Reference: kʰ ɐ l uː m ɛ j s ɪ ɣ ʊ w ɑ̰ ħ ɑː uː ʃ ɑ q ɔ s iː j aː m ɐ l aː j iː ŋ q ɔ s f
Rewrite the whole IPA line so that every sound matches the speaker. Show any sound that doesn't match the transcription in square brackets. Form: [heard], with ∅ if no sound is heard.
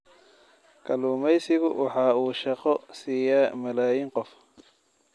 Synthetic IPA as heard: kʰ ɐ l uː m ɛ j s ɪ ɣ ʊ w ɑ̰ ħ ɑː uː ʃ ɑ q ɔ s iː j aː m ɐ l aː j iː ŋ q ɔ [∅] f